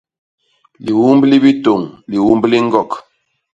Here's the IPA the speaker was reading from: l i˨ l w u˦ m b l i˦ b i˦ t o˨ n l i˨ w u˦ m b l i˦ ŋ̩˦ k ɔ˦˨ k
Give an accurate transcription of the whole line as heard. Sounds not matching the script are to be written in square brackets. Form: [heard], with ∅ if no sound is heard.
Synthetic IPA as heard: l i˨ [∅] w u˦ m b l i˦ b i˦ t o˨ [ŋ] l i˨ w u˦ m b l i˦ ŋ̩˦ [ɡ] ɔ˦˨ k